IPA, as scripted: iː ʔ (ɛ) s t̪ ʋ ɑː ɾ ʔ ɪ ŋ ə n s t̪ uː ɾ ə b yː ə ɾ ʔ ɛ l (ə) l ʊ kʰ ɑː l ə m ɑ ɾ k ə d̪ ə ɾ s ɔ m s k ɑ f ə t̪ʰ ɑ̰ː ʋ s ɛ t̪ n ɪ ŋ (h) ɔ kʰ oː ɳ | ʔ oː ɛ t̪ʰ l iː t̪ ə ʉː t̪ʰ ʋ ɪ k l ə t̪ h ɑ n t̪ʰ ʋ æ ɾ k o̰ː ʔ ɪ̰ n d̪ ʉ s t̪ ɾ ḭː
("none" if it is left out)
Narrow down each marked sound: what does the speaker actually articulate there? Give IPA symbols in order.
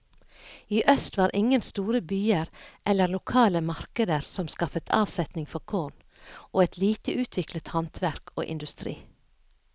œ, ə, f

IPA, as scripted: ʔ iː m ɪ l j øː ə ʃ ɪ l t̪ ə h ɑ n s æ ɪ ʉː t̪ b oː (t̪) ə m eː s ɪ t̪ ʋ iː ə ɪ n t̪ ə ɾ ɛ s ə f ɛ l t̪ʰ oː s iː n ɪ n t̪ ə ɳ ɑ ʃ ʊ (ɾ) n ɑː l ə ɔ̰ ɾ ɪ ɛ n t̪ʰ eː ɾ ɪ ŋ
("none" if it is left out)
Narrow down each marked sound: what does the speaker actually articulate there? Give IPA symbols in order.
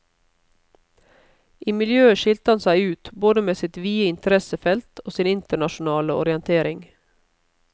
d̪, none

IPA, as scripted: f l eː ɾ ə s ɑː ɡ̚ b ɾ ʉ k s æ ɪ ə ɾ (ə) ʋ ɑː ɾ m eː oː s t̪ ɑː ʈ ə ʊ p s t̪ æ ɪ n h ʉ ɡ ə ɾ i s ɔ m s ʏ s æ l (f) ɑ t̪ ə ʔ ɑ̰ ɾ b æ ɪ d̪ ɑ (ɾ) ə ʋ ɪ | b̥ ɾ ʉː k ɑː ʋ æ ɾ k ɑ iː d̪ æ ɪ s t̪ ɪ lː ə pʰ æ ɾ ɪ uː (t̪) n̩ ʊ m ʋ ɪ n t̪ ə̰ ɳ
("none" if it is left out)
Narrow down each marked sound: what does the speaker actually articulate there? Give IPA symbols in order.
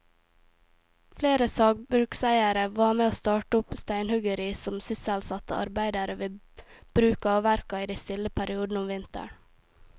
ə, s, ɾ, d̪

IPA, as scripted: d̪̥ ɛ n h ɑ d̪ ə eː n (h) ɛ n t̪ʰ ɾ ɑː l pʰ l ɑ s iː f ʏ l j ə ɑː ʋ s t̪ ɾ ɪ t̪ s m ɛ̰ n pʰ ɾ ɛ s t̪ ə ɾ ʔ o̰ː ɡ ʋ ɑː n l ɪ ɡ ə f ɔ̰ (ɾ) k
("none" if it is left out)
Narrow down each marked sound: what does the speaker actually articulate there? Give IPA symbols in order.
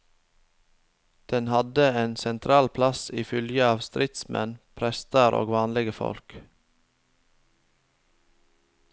s, l

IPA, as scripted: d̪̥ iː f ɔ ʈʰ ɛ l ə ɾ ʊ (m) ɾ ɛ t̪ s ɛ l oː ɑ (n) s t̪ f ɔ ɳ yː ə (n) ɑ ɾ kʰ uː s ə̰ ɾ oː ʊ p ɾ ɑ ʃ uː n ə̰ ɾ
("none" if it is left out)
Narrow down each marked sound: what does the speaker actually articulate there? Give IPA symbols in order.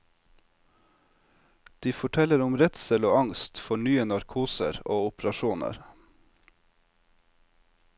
m, ŋ, n

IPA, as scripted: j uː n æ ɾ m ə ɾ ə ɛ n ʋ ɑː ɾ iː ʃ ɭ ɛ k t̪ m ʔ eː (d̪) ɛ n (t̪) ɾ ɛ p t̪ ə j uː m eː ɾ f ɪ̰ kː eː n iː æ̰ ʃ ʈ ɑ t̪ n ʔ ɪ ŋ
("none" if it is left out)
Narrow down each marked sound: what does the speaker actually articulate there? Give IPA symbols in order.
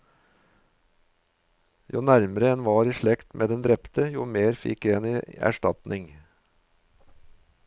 d̪, d̪

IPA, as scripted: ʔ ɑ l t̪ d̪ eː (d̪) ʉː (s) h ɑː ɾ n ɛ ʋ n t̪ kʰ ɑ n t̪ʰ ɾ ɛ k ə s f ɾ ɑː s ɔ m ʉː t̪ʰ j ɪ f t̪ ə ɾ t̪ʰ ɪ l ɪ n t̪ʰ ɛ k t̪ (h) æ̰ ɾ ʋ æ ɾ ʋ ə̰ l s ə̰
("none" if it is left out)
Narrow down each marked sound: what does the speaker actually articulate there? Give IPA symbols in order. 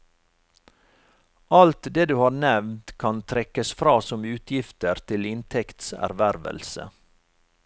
d̪, none, s

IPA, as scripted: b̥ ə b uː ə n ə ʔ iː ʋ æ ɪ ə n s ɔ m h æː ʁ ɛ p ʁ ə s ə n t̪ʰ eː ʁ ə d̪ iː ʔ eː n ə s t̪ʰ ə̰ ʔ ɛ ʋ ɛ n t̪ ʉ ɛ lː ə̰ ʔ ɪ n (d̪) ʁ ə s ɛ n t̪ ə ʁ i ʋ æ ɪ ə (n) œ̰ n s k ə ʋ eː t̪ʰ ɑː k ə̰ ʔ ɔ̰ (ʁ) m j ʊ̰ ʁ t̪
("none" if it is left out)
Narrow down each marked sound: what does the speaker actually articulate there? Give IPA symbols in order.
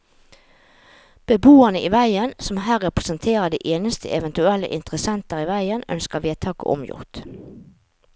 t̪, n, none

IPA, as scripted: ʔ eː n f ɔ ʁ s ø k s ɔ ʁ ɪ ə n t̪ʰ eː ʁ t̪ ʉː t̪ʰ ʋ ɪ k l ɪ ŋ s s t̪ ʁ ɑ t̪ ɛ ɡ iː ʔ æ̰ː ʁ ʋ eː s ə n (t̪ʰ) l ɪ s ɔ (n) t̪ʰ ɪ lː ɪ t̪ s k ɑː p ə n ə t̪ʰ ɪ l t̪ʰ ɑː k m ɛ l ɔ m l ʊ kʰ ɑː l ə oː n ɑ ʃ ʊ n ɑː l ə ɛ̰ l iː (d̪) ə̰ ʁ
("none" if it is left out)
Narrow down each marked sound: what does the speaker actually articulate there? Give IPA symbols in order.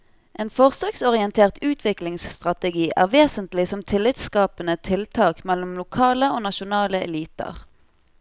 t̪, m, t̪

